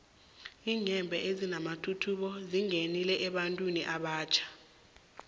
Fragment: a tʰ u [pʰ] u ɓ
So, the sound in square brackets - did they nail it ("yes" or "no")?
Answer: no